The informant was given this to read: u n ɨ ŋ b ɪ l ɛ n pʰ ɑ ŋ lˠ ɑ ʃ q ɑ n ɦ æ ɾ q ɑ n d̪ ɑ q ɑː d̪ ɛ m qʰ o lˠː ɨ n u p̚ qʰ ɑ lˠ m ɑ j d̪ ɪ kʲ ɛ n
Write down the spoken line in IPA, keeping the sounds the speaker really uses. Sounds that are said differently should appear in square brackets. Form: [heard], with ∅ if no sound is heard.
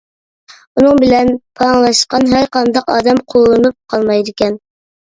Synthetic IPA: u n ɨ ŋ b ɪ l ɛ n pʰ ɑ ŋ lˠ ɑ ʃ q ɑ n ɦ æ ɾ q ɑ n d̪ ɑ q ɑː d̪ ɛ m qʰ o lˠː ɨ n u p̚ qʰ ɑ lˠ m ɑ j d̪ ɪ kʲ ɛ n

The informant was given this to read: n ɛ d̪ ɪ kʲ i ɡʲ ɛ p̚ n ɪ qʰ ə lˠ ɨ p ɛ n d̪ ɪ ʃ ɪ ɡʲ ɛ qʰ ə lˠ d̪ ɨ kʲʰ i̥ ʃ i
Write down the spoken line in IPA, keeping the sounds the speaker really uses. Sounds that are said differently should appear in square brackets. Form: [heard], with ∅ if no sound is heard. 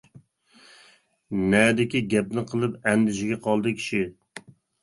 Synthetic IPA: n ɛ d̪ ɪ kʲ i ɡʲ ɛ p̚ n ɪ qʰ ə lˠ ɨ p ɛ n d̪ ɪ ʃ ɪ ɡʲ ɛ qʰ [ɑ] lˠ d̪ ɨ kʲʰ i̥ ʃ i

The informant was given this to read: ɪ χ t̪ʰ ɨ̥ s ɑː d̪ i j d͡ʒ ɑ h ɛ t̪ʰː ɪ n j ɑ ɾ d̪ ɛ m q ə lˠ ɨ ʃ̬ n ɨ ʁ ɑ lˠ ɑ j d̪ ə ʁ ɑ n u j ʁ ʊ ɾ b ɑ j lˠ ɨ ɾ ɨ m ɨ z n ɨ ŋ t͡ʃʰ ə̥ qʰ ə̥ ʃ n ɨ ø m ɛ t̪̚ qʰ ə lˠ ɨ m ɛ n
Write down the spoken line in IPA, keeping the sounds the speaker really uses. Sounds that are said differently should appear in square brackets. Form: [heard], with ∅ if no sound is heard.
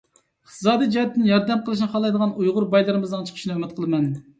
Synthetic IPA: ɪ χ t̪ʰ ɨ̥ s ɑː d̪ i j d͡ʒ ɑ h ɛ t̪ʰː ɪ n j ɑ ɾ d̪ ɛ m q ə lˠ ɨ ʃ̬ n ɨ [χ] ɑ lˠ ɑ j d̪ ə ʁ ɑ n u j ʁ ʊ ɾ b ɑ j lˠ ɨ ɾ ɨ m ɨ z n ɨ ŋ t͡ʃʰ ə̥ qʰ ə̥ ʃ n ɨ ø m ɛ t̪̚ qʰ ə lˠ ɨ m ɛ n

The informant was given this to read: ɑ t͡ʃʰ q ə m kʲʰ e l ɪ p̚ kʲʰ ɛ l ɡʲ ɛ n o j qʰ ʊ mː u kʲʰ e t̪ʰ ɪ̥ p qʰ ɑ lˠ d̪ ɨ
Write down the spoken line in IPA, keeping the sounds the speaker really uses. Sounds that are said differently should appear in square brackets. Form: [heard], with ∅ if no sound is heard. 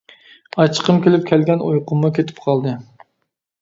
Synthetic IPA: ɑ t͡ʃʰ q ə m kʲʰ e l ɪ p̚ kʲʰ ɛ l ɡʲ ɛ n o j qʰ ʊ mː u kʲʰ e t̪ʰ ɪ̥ p qʰ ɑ lˠ d̪ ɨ

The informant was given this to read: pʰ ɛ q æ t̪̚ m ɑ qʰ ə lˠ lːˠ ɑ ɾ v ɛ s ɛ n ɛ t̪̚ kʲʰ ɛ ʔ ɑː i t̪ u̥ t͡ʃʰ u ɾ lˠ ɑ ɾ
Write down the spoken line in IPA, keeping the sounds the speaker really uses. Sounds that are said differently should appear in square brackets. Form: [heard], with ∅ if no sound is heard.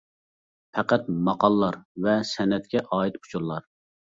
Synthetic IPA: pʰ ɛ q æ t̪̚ m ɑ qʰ [ɑ] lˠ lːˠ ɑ ɾ v ɛ s ɛ n ɛ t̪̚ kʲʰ ɛ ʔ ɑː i t̪ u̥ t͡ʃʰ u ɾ lˠ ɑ ɾ

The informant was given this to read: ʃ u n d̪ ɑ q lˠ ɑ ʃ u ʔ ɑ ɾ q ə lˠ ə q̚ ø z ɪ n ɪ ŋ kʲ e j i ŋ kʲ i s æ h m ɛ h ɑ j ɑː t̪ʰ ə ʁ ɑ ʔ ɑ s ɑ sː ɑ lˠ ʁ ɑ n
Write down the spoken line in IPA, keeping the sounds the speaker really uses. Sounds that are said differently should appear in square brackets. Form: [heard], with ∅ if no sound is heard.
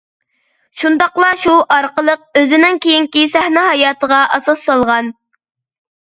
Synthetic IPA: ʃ u n d̪ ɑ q lˠ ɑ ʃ u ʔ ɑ ɾ q ə lˠ ə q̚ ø z ɪ n ɪ ŋ kʲ e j i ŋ kʲ i s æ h [n] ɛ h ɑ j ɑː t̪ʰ ə ʁ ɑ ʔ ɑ s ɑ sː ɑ lˠ ʁ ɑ n

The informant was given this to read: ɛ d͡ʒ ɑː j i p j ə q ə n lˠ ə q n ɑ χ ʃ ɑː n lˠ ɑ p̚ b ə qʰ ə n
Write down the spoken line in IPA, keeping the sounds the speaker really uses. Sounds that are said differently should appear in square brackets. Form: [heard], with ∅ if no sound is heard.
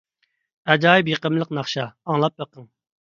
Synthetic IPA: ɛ d͡ʒ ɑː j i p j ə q ə [m] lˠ ə q n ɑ χ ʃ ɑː [ŋ] lˠ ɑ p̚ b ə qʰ ə [ŋ]

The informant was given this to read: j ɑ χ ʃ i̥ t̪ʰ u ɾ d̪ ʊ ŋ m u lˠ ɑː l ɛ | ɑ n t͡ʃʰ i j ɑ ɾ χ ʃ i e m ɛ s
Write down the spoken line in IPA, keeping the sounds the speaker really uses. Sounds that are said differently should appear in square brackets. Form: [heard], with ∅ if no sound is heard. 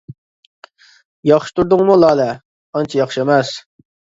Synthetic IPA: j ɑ χ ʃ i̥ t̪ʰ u ɾ d̪ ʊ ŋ m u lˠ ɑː l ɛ | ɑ n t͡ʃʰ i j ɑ [∅] χ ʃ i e m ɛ s

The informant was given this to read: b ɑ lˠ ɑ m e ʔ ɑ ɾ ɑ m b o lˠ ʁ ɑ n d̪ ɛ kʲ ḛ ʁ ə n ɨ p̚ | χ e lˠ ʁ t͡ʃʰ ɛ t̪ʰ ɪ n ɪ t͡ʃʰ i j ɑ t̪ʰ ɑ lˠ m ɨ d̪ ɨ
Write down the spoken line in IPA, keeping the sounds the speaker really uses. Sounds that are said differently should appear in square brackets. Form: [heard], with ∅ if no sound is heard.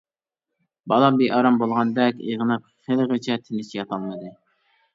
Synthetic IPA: b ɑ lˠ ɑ [b] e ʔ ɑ ɾ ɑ m b o lˠ ʁ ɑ n d̪ ɛ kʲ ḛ ʁ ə n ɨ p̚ | χ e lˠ ʁ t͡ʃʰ ɛ t̪ʰ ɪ n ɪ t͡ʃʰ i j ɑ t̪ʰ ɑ lˠ m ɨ d̪ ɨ

